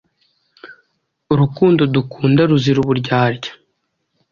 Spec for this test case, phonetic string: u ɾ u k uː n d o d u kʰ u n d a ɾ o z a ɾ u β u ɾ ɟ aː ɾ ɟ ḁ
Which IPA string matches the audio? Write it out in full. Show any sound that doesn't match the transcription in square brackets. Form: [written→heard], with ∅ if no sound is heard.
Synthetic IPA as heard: u ɾ u k uː n d o d u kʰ [u→uː] n d a ɾ [o→u] z [a→i] ɾ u β u ɾ ɟ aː ɾ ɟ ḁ